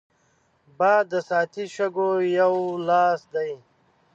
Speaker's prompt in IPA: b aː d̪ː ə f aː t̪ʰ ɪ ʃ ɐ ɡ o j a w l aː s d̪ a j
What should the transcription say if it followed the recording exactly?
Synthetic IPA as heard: b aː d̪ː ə s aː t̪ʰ i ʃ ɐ ɡ o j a w l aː s d̪ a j